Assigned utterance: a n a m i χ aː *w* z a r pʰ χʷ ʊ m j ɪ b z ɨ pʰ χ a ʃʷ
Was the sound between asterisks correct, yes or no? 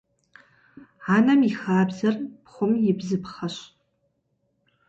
no